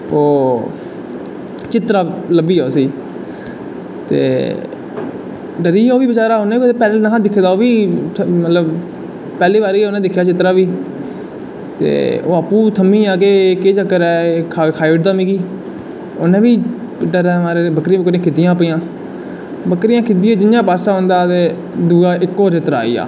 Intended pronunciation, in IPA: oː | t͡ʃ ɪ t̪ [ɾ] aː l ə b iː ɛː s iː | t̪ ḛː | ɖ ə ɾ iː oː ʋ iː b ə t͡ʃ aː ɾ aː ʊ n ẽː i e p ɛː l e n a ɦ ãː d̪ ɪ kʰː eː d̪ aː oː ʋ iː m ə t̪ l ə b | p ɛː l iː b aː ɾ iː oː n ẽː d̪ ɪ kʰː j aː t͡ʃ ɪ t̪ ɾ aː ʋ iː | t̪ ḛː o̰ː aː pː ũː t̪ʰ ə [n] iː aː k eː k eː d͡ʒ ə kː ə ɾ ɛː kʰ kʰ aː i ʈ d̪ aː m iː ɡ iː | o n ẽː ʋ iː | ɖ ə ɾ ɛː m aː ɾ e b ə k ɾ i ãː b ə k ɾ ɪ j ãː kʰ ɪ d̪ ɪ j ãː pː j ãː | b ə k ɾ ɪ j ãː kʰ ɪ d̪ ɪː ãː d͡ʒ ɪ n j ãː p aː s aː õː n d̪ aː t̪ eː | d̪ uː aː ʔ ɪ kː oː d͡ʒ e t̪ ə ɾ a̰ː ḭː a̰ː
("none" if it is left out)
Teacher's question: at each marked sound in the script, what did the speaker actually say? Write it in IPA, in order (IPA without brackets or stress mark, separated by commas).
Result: ɾ, m